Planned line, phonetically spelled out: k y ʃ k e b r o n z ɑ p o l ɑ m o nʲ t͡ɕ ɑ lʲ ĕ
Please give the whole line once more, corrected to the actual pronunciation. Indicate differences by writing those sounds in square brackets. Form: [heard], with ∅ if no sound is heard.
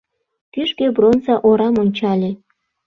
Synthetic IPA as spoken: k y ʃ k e b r o n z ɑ [ʔ] o [ɾ] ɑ m o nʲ t͡ɕ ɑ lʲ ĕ